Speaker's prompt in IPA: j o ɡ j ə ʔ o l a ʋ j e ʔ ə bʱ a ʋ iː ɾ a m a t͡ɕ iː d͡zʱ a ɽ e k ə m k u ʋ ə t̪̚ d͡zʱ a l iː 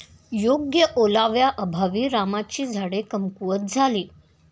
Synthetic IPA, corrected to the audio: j o ɡ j ə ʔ o l a ʋ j a ʔ ə bʱ a ʋ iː ɾ a m a t͡ɕ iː d͡zʱ a ɽ e k ə m k u ʋ ə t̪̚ d͡zʱ a l iː